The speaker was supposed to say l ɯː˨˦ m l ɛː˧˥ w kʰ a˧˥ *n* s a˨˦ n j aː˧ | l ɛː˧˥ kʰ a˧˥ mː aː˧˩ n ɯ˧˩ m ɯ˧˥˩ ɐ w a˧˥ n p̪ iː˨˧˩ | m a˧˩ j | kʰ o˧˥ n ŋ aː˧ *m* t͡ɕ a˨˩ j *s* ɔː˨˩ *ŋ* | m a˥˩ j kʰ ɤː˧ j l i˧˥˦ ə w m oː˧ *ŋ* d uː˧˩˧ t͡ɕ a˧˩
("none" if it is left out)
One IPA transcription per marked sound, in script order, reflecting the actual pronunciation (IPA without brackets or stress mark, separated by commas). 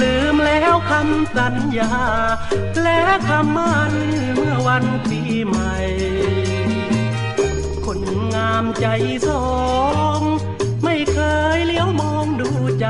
m, m, s, ŋ, ŋ